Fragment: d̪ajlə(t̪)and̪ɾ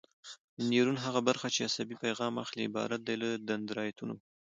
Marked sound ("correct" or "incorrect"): incorrect